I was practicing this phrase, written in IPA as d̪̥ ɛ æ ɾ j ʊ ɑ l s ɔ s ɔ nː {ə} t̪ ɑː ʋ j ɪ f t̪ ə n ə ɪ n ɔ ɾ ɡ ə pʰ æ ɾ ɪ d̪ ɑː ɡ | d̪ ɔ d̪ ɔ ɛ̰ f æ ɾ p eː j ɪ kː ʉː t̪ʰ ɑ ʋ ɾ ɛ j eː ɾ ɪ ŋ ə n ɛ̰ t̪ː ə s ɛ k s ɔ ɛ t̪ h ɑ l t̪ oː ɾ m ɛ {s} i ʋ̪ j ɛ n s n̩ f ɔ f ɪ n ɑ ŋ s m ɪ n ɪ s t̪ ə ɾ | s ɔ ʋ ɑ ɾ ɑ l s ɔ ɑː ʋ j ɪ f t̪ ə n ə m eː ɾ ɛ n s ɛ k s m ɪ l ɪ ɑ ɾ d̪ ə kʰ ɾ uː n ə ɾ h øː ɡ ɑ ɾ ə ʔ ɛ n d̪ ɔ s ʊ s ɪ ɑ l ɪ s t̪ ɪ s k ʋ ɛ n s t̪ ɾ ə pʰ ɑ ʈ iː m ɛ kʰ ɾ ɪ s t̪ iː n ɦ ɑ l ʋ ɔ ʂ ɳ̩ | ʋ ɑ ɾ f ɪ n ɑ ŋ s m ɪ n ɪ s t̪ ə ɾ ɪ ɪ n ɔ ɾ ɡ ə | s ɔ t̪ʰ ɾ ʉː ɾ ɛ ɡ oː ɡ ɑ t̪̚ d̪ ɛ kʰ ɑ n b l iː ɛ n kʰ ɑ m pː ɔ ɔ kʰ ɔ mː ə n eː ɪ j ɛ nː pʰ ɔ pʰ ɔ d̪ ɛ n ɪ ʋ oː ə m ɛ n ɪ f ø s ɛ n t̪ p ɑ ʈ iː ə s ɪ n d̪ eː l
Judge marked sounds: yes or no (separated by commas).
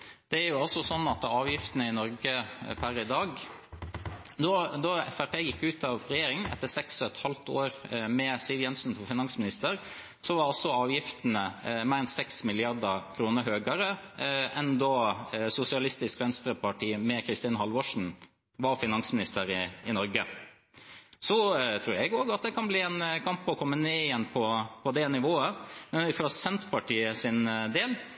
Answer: no, yes